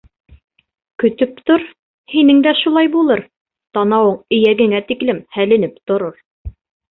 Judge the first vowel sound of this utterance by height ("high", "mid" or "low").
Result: mid